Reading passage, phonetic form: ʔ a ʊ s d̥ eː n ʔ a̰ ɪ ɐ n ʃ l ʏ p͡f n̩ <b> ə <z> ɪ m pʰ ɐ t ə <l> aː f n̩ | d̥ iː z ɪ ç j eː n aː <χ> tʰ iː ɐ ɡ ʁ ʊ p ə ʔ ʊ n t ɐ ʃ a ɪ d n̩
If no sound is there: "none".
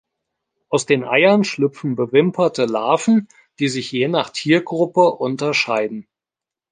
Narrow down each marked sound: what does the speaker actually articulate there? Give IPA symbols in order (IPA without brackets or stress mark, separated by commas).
b, v, l, χ